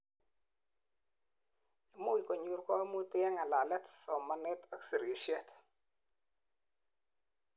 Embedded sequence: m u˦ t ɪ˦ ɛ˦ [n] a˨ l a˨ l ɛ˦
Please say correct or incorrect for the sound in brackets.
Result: incorrect